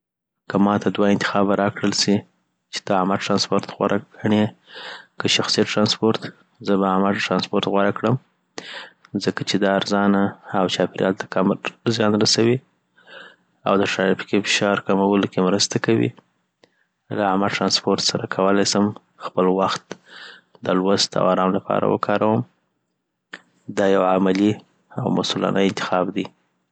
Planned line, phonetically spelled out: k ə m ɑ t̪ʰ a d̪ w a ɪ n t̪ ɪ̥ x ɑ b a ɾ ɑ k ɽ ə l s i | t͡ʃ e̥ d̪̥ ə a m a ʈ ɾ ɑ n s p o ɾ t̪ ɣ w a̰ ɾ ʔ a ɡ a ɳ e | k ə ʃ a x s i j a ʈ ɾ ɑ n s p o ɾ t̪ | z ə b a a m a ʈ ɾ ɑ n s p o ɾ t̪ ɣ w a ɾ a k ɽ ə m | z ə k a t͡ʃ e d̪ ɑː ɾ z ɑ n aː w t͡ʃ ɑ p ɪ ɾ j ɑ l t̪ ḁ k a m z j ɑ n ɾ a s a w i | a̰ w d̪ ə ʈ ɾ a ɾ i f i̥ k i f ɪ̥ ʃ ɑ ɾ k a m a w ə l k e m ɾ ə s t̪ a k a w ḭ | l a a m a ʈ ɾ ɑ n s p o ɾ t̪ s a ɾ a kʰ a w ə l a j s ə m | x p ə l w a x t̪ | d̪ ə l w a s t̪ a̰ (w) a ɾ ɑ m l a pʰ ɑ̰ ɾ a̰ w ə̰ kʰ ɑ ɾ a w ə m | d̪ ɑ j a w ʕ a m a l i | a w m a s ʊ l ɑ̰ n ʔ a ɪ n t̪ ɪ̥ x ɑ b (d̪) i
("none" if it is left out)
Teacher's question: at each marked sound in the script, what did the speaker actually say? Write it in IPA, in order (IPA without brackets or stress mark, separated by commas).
w, d̪